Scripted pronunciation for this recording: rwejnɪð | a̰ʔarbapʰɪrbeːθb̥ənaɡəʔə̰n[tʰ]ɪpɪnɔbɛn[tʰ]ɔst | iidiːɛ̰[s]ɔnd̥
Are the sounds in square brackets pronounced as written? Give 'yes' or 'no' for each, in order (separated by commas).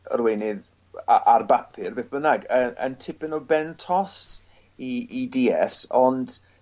yes, yes, yes